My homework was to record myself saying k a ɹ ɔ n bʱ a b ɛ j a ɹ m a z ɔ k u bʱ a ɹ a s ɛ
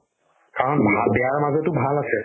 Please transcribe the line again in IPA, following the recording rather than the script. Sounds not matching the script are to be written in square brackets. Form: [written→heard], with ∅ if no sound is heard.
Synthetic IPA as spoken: k a ɹ ɔ n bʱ a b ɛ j a ɹ m a z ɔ [k→t] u bʱ a [ɹ→l] a s ɛ